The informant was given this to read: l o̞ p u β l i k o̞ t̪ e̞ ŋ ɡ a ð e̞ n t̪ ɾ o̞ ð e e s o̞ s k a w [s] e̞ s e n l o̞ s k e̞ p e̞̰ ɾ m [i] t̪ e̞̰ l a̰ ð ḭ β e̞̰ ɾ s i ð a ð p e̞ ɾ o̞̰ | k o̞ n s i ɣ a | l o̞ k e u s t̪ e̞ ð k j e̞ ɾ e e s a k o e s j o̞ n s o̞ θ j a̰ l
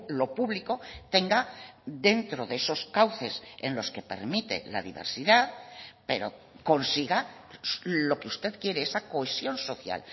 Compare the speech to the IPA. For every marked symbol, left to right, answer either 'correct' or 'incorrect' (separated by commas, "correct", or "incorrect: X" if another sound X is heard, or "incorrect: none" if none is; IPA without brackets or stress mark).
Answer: incorrect: θ, correct